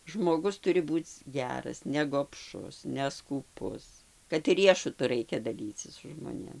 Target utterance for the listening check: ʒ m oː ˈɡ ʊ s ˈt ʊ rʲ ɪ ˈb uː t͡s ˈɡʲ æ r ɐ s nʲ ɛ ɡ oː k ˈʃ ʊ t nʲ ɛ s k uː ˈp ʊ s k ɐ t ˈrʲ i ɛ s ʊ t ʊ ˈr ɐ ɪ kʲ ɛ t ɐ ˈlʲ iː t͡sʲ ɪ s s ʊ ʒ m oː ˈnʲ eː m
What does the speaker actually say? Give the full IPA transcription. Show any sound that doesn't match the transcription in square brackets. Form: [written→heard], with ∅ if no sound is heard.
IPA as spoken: ʒ m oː ˈɡ ʊ s ˈt ʊ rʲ ɪ ˈb uː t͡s ˈɡʲ [æ→æː] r ɐ s nʲ ɛ ɡ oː [k→p] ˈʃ ʊ [t→s] nʲ ɛ s k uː ˈp ʊ s k ɐ t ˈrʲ i ɛ [s→ʃ] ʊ t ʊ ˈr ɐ ɪ kʲ ɛ [t→d] ɐ ˈlʲ iː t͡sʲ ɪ s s ʊ ʒ m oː ˈnʲ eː m

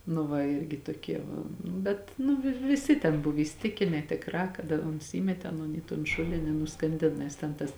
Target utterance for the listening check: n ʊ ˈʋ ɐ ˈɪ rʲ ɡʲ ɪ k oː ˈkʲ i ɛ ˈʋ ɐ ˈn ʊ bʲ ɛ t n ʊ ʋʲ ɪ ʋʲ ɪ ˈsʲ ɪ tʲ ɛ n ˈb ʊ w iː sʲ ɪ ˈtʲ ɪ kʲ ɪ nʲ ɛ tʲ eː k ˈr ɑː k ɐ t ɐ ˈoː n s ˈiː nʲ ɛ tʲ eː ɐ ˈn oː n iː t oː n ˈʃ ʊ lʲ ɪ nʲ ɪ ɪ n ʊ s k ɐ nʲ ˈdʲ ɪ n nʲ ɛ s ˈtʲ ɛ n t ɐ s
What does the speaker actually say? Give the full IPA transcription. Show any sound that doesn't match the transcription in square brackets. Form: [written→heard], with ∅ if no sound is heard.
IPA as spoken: n ʊ ˈʋ ɐ ˈɪ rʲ ɡʲ ɪ [k→t] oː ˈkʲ i ɛ ˈʋ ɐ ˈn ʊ bʲ ɛ t n ʊ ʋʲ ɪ ʋʲ ɪ ˈsʲ ɪ tʲ ɛ n ˈb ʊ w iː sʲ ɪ ˈtʲ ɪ kʲ ɪ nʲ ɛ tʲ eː k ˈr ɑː k ɐ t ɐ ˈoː n s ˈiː [nʲ→mʲ] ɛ tʲ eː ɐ ˈn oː n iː t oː n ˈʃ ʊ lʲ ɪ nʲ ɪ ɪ n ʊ s k ɐ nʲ ˈdʲ ɪ n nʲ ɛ s ˈtʲ ɛ n t ɐ s

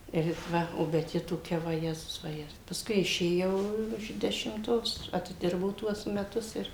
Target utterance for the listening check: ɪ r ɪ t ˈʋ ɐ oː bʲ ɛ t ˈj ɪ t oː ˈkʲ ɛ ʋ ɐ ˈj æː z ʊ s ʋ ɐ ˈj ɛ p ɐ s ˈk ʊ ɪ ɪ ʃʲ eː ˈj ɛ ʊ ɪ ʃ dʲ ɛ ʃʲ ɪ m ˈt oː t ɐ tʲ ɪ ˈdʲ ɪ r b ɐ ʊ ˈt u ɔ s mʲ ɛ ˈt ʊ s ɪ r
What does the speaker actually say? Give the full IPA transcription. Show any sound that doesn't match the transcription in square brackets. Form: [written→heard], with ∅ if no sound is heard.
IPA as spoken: ɪ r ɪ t ˈʋ ɐ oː bʲ ɛ t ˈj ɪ t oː ˈkʲ ɛ ʋ ɐ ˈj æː z ʊ s ʋ ɐ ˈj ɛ p ɐ s ˈk ʊ ɪ ɪ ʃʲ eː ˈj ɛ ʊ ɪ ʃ dʲ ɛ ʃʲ ɪ m ˈt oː [t→s] ɐ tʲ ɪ ˈdʲ ɪ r b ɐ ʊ ˈt u ɔ s mʲ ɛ ˈt ʊ s ɪ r

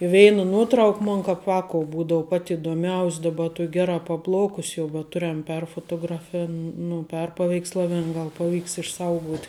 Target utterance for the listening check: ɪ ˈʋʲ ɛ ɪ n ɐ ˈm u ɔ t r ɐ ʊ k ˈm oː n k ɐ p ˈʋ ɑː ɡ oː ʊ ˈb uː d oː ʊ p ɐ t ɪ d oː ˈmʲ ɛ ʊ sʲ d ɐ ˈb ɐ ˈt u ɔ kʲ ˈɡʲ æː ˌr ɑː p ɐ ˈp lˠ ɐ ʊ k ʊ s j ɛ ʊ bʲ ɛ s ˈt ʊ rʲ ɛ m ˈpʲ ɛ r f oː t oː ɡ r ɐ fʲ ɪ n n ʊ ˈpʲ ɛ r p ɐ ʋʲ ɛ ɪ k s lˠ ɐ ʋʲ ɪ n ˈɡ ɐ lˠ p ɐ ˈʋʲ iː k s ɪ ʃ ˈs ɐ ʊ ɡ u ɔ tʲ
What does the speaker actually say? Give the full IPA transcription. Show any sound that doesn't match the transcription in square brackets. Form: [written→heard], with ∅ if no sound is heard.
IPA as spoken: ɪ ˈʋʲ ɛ ɪ n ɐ [ˈm→ˈn] u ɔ t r ɐ ʊ k ˈm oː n k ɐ p ˈʋ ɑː [ɡ→k] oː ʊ ˈb uː d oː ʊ p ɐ t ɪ d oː ˈmʲ ɛ ʊ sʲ d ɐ ˈb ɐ ˈt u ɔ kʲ ˈɡʲ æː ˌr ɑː p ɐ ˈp lˠ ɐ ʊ k ʊ s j ɛ ʊ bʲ ɛ [s→t] ˈt ʊ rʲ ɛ m ˈpʲ ɛ r f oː t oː ɡ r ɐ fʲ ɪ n n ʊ ˈpʲ ɛ r p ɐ ʋʲ ɛ ɪ k s lˠ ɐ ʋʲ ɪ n ˈɡ ɐ lˠ p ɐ ˈʋʲ iː k s ɪ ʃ ˈs ɐ ʊ ɡ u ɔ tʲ

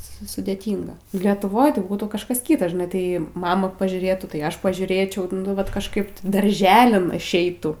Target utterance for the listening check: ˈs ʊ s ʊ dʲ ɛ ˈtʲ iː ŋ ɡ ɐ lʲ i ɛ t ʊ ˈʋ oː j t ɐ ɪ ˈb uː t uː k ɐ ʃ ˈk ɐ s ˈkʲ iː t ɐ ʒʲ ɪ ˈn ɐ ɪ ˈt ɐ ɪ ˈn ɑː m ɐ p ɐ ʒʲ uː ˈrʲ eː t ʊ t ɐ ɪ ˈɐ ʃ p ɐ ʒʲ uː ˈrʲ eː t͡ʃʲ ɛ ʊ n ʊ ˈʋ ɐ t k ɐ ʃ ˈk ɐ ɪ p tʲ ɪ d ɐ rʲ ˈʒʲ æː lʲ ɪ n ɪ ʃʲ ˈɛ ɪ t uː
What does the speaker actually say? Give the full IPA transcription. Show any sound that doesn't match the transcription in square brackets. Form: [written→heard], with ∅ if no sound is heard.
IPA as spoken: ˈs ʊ s ʊ dʲ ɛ ˈtʲ iː ŋ ɡ ɐ lʲ i ɛ t ʊ ˈʋ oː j t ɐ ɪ ˈb uː t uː k ɐ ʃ ˈk ɐ s ˈkʲ iː t ɐ ʒʲ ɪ ˈn ɐ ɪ ˈt ɐ ɪ [ˈn→ˈm] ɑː m ɐ p ɐ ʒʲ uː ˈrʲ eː t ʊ t ɐ ɪ ˈɐ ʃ p ɐ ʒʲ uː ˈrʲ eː t͡ʃʲ ɛ ʊ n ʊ ˈʋ ɐ t k ɐ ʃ ˈk ɐ ɪ p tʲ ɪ d ɐ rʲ ˈʒʲ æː lʲ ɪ n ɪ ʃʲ ˈɛ ɪ t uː

